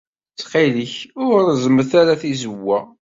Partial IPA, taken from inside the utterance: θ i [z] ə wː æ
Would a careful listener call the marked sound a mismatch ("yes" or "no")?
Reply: no